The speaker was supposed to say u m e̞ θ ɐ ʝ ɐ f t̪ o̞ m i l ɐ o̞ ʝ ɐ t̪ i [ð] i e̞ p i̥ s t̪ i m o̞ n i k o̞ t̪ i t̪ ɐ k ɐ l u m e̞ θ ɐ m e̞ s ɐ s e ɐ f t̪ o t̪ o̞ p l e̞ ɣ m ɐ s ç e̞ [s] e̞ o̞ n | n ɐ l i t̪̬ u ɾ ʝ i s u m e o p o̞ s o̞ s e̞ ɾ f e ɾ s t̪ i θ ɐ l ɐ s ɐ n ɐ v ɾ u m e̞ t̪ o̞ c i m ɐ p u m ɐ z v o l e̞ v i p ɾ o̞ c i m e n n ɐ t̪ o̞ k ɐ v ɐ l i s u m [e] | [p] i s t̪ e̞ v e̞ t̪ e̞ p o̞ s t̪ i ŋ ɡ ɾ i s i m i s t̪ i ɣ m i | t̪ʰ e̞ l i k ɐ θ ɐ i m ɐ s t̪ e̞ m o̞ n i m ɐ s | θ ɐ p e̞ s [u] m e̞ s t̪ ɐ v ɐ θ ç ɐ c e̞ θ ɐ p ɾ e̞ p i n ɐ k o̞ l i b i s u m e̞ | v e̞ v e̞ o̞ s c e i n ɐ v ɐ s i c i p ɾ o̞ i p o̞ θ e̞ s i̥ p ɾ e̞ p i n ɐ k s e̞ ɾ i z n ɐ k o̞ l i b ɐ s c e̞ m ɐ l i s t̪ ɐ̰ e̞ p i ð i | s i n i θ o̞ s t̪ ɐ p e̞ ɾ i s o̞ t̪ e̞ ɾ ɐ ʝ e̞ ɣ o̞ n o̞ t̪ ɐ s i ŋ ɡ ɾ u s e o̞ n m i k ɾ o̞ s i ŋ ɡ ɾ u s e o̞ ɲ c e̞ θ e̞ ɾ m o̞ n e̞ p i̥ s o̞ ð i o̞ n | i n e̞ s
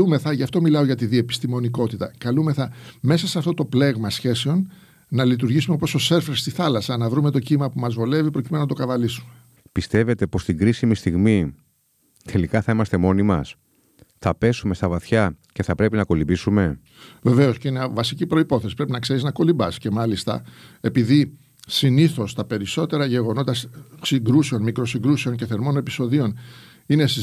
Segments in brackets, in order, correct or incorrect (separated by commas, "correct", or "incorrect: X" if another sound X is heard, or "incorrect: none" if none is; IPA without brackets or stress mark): correct, correct, correct, correct, correct